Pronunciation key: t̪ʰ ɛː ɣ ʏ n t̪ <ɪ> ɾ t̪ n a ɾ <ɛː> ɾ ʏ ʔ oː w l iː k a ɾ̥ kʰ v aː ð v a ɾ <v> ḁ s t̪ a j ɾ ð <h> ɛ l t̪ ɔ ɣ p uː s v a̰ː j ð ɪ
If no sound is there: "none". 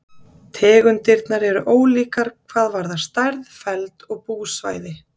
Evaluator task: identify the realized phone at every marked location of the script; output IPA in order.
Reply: ɪ, ɛ, ð, f

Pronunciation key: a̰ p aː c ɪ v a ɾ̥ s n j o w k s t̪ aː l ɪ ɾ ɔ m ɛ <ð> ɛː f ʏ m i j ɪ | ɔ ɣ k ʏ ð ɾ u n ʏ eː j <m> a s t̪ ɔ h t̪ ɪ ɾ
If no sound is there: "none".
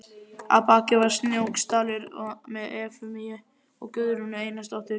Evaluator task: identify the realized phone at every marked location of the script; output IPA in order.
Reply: ð, n

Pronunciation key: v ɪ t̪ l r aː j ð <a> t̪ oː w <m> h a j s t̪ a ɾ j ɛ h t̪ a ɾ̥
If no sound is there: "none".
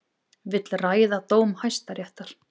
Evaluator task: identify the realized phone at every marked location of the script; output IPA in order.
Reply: a, m

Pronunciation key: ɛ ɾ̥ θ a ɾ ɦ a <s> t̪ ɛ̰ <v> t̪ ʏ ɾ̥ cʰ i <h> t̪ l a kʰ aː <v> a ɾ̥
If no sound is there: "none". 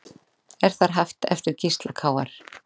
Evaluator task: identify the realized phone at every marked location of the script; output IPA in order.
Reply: f, f, s, w

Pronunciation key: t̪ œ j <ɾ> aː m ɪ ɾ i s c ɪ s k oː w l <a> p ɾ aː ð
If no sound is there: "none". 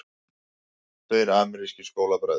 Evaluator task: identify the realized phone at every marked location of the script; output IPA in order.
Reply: ɾ, a

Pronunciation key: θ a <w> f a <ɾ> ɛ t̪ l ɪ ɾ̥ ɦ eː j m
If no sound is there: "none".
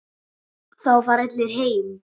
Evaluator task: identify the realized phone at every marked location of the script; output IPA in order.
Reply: w, ɾ

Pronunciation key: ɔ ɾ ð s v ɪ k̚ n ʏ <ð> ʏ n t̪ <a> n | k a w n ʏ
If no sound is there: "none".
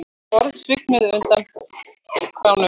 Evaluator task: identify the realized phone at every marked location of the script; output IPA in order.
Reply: ð, a

